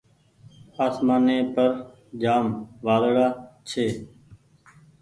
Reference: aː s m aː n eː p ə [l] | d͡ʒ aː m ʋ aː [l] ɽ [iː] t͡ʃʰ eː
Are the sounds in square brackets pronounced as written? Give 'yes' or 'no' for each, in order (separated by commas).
no, yes, no